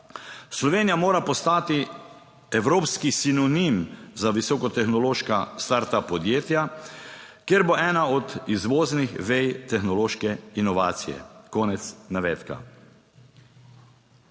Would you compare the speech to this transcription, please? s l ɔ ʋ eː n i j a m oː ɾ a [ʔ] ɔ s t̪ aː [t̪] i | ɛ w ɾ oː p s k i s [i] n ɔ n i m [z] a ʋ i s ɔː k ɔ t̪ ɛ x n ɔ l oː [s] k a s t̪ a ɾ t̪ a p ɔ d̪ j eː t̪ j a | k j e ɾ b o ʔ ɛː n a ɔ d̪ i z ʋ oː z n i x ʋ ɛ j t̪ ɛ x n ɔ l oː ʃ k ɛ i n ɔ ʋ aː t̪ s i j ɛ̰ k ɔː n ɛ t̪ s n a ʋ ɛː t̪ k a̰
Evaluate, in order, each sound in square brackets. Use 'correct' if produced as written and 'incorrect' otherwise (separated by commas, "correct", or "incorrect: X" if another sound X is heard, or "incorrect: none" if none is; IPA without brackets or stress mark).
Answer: incorrect: p, correct, correct, correct, incorrect: ʃ